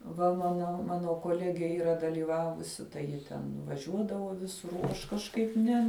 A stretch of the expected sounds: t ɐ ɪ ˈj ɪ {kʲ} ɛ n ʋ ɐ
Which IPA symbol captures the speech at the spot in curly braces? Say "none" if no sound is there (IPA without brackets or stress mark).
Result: tʲ